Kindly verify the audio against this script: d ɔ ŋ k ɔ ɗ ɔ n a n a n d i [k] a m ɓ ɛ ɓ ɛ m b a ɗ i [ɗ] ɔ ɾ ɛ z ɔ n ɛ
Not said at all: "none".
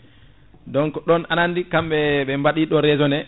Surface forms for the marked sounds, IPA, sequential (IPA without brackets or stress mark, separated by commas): k, ɗ